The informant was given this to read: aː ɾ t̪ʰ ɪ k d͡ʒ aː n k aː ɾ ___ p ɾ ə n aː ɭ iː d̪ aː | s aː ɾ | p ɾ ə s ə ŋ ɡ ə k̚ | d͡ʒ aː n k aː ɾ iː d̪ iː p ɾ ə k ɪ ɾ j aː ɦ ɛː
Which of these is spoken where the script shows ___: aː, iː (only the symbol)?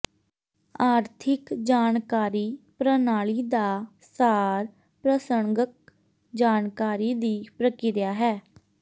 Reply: iː